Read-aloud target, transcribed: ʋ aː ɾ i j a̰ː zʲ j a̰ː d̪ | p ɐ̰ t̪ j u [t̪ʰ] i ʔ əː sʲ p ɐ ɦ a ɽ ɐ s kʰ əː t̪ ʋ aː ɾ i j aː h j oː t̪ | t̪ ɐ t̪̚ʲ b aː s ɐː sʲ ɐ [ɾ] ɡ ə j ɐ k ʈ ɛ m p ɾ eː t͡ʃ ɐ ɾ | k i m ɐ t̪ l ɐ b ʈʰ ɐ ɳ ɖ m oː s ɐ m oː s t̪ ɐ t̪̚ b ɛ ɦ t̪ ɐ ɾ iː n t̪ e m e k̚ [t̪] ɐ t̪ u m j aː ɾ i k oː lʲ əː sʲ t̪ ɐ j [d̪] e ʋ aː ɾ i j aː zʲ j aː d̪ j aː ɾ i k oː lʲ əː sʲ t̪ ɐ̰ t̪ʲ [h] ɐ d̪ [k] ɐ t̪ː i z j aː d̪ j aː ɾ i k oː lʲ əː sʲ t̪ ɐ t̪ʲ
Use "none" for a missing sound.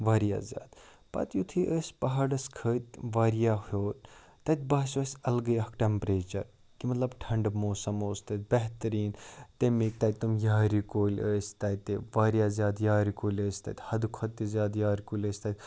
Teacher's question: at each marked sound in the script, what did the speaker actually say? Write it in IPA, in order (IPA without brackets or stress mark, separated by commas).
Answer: t̪ʰ, l, t̪, t̪, h, kʰ